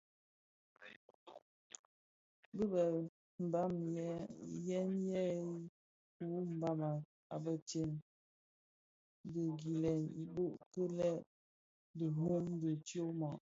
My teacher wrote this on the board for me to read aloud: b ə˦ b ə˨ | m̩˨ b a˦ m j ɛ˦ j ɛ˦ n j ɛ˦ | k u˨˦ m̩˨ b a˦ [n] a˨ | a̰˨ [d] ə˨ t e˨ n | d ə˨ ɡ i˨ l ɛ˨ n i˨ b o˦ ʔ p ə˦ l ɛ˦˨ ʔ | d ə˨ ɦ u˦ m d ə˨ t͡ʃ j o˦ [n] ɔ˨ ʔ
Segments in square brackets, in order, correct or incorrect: incorrect: m, incorrect: b, incorrect: m

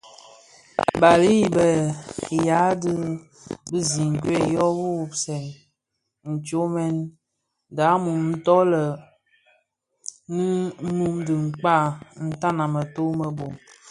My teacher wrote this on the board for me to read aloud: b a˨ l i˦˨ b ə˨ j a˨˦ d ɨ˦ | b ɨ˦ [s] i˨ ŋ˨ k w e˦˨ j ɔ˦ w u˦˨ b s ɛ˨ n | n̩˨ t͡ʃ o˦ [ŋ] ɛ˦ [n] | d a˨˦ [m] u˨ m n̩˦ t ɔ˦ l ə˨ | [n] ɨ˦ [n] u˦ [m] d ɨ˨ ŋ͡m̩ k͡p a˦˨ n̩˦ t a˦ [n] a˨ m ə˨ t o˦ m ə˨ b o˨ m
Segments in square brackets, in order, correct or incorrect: incorrect: z, incorrect: m, correct, correct, correct, correct, correct, correct

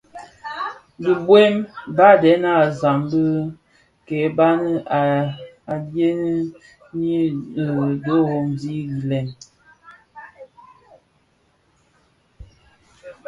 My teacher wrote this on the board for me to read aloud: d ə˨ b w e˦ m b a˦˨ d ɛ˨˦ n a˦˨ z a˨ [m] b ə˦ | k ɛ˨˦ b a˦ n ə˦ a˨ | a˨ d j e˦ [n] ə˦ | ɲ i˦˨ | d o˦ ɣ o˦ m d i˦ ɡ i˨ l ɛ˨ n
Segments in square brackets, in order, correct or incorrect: correct, correct

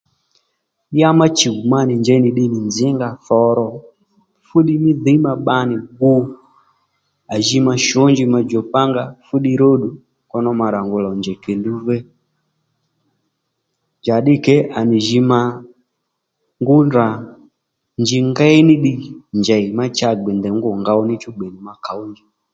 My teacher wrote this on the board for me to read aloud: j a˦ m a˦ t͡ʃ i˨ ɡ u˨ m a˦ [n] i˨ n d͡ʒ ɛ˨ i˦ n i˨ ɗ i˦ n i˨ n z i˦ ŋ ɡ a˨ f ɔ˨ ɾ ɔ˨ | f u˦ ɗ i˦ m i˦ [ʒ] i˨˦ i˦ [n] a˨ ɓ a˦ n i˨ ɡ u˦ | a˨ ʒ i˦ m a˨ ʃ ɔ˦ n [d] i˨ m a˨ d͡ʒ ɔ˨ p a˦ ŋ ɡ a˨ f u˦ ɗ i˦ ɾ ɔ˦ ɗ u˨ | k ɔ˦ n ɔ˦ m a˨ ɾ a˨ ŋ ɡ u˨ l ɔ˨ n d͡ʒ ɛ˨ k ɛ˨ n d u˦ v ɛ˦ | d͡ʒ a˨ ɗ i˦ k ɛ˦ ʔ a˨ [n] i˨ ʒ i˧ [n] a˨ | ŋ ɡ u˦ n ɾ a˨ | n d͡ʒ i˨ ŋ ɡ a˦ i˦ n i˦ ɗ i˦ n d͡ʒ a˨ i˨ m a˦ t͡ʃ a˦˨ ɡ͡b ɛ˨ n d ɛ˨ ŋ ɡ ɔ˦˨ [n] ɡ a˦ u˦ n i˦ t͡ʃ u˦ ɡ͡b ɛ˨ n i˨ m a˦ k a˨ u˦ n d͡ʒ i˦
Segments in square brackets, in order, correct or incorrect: correct, incorrect: ð, incorrect: m, incorrect: d͡ʒ, correct, incorrect: m, incorrect: ŋ

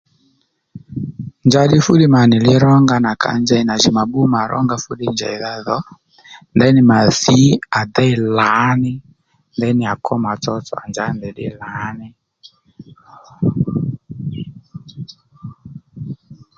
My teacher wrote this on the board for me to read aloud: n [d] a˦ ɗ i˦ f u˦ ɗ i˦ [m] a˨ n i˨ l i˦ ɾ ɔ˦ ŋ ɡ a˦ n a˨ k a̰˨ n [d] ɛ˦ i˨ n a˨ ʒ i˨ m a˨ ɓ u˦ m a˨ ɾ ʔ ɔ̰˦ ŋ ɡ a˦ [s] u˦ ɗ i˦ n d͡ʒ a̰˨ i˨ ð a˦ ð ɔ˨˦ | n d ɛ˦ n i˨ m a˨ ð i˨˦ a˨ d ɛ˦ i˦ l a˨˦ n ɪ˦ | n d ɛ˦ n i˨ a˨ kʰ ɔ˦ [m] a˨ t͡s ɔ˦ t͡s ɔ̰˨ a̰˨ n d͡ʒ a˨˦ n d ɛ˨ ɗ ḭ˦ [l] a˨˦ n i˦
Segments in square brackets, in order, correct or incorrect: incorrect: d͡ʒ, correct, incorrect: d͡ʒ, incorrect: f, correct, correct

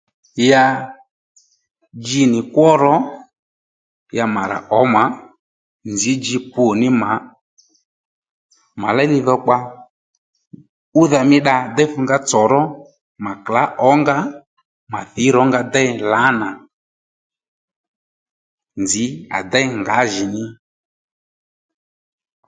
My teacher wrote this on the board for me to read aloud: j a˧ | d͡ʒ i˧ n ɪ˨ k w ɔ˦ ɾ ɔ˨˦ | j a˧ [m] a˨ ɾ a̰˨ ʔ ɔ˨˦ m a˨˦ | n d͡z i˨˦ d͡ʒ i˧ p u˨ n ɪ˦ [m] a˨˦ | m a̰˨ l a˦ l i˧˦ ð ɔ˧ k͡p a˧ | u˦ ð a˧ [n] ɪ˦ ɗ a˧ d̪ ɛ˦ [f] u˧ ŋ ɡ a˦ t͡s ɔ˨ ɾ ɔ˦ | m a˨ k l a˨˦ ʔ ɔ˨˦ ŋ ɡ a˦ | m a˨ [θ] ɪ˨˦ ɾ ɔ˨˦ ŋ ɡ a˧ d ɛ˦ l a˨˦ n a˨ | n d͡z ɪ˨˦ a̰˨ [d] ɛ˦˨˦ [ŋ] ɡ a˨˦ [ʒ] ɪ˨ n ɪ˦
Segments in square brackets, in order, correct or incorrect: correct, correct, incorrect: m, correct, correct, correct, correct, correct

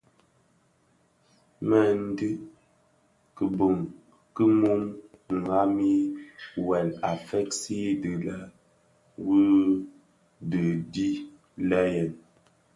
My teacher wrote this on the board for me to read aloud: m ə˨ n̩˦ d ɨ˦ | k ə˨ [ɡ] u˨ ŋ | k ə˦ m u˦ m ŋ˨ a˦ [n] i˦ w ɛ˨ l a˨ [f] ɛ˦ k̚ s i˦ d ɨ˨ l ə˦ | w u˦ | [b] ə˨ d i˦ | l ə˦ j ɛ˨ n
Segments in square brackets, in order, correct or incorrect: incorrect: b, incorrect: m, correct, incorrect: d

